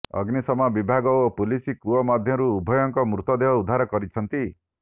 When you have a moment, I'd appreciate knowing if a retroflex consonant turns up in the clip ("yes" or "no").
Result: no